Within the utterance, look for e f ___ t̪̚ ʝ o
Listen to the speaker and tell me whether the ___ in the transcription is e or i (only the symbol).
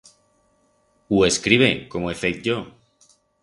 e